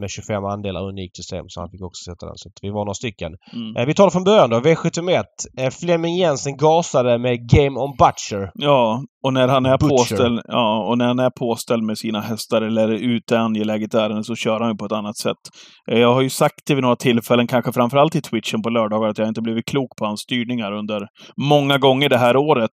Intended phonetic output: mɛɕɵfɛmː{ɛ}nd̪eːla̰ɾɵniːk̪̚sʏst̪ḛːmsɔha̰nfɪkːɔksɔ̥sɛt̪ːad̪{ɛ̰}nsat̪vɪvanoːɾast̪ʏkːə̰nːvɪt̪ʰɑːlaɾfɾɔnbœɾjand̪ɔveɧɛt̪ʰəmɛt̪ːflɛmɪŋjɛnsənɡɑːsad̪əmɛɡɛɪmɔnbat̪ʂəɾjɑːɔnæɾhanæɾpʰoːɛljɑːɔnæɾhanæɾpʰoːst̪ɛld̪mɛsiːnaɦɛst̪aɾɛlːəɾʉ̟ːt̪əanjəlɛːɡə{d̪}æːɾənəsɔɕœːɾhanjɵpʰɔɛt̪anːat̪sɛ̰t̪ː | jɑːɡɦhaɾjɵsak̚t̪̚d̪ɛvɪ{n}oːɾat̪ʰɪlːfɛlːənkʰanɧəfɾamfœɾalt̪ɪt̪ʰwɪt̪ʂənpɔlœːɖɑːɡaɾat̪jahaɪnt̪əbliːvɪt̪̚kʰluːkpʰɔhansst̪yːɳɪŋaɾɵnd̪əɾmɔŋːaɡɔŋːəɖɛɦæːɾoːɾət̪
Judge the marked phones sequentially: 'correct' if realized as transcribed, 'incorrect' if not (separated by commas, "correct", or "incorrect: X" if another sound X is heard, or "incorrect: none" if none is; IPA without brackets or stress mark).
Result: incorrect: a, correct, incorrect: t̪, correct